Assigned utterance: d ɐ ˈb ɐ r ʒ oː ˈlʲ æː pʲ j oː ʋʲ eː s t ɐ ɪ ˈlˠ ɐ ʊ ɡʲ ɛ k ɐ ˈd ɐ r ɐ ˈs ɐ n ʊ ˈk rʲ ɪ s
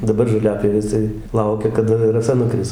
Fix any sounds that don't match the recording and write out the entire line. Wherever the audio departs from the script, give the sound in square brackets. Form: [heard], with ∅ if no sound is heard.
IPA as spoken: d ɐ ˈb ɐ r ʒ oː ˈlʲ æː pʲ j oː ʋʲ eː s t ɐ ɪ ˈlˠ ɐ ʊ [kʲ] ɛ k ɐ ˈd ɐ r ɐ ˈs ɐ n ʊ ˈk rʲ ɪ s